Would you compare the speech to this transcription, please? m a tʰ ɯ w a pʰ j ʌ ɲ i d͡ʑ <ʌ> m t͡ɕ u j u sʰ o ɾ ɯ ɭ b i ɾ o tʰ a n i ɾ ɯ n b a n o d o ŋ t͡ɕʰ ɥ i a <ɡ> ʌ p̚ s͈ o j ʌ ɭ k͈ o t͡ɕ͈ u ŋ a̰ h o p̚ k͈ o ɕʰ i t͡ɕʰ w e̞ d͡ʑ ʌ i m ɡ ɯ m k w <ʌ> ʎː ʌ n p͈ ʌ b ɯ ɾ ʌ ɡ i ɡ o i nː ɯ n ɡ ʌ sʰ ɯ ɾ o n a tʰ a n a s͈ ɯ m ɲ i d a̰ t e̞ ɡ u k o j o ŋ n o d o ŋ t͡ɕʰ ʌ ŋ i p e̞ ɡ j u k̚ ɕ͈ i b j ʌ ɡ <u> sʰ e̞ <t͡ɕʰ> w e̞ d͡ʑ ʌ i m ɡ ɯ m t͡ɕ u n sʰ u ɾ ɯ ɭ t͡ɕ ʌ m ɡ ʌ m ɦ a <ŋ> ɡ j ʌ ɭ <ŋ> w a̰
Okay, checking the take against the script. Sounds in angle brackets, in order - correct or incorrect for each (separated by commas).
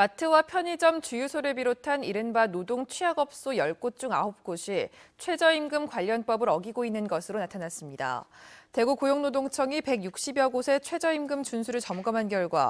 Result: correct, correct, incorrect, incorrect, correct, incorrect, incorrect